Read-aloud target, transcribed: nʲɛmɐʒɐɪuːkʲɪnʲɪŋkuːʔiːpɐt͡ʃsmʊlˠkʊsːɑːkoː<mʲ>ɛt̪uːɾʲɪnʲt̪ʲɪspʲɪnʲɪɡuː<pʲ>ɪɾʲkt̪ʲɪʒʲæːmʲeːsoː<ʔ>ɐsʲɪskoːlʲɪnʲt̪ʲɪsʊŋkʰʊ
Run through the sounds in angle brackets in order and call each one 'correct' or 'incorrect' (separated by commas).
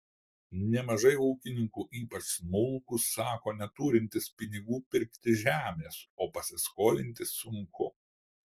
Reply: incorrect, correct, incorrect